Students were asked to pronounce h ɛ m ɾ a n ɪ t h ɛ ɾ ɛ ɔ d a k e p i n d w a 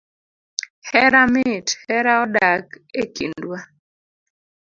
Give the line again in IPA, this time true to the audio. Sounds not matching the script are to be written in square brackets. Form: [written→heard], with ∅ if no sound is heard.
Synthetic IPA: h ɛ [m→∅] ɾ a [n→m] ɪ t h ɛ ɾ [ɛ→a] ɔ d a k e [p→k] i n d w a